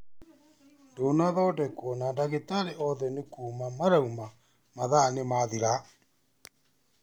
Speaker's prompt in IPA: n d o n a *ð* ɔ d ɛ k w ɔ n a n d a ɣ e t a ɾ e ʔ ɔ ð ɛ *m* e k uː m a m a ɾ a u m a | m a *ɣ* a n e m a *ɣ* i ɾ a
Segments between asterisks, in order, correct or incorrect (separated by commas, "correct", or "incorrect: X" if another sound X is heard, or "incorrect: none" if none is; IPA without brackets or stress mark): correct, incorrect: n, incorrect: ð, incorrect: ð